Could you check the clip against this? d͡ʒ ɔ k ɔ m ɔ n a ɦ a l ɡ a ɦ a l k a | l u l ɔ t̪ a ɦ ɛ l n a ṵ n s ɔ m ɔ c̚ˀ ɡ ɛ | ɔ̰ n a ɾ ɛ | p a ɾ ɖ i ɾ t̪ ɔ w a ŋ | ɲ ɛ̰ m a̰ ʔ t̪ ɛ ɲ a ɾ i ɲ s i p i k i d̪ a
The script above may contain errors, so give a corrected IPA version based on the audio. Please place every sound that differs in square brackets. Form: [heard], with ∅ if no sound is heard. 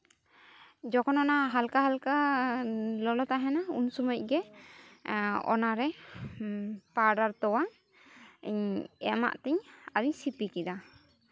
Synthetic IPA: d͡ʒ ɔ k ɔ [n] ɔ n a ɦ a l [k] a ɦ a l k a | l [ɔ] l ɔ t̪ a ɦ ɛ [∅] n a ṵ n s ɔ m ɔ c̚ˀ ɡ ɛ | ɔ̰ n a ɾ ɛ | p a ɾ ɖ [a] ɾ t̪ ɔ w a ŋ | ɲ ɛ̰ m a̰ ʔ t̪ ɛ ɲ a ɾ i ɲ s i p i k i d̪ a